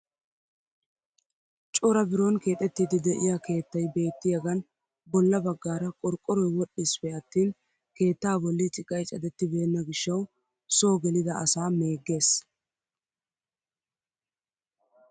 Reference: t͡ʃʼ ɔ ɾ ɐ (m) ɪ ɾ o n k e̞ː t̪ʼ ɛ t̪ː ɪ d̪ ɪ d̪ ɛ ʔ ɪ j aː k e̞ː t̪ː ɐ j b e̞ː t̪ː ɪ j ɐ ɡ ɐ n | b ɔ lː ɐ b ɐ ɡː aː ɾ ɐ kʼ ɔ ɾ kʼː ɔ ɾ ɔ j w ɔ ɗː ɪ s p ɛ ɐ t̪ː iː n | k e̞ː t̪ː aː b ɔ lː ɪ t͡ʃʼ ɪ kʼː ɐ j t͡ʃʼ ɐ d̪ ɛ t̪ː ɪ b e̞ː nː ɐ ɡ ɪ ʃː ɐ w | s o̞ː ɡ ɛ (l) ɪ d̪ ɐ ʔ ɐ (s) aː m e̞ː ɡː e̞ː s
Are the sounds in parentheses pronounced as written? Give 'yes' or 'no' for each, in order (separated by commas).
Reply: no, yes, yes